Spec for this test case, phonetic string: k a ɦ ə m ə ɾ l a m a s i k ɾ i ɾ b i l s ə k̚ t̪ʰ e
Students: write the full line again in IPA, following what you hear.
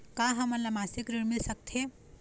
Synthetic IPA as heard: k a ɦ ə m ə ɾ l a m a s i k ɾ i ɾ m i l s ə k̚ t̪ʰ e